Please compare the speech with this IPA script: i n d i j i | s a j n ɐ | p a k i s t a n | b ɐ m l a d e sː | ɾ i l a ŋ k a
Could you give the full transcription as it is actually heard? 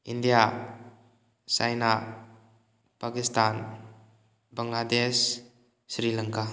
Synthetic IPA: i n d i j a | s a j n a | p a k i s t a n | b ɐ ŋ l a d e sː | ɾ i l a ŋ k a